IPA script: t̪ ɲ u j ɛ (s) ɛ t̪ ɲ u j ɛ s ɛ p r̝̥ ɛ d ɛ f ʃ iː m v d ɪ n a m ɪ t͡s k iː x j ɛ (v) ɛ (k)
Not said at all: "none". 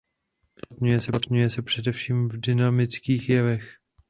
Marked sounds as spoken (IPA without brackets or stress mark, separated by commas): s, v, x